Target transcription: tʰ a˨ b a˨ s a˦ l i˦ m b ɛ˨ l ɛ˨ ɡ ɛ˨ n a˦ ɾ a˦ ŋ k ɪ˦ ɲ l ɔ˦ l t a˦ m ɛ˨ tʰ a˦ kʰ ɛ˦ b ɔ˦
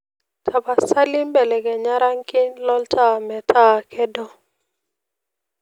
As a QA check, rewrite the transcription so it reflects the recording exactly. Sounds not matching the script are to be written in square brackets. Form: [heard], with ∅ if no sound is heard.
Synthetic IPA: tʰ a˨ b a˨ s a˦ l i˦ m b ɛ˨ l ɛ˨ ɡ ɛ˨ [ɲ] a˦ ɾ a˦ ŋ k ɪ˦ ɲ l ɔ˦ l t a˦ m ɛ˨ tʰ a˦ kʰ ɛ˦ [d] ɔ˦

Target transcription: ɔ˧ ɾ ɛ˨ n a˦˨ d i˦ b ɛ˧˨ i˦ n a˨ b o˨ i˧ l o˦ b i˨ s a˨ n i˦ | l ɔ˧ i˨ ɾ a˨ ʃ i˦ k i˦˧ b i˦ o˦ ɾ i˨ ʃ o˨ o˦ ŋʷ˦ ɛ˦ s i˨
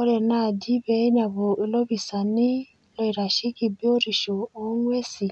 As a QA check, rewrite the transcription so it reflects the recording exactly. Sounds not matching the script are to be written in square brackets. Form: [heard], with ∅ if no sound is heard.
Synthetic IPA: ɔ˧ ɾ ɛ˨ n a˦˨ d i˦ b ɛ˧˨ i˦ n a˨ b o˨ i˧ l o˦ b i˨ s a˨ n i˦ | l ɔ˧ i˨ ɾ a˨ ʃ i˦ k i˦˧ b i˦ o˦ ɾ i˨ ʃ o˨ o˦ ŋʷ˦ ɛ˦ s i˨

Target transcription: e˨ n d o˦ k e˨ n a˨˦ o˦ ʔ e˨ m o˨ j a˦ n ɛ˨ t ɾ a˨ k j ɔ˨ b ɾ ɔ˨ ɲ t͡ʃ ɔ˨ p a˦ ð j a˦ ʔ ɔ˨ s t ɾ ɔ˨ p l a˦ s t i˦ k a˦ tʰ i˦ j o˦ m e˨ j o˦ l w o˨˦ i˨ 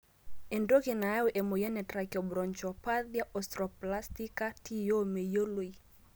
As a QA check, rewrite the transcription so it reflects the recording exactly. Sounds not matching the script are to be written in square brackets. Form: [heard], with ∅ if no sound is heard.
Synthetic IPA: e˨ n d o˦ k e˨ n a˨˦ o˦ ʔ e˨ m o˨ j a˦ n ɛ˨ t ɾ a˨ k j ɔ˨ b ɾ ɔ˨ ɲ t͡ʃ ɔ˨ p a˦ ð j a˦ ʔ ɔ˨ s t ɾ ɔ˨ p l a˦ s t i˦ k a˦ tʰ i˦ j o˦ m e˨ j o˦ l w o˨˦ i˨

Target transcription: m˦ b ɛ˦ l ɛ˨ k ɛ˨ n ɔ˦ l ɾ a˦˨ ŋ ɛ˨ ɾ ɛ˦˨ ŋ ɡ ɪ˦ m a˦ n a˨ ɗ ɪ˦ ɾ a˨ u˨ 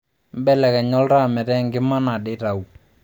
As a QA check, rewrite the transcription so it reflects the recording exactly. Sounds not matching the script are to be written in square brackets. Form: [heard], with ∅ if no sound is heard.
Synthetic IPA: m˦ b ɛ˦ l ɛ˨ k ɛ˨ [ɲ] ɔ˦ l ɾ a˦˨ [m] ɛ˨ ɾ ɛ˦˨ ŋ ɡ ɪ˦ m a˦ n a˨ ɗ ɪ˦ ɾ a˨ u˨

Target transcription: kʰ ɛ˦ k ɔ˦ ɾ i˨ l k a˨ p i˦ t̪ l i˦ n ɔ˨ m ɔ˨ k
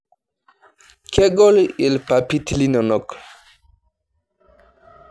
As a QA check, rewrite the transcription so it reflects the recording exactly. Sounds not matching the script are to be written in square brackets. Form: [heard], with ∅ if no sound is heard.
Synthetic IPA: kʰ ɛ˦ [ɡ] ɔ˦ [l] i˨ l [p] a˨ p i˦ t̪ l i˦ n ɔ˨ [n] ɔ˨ k

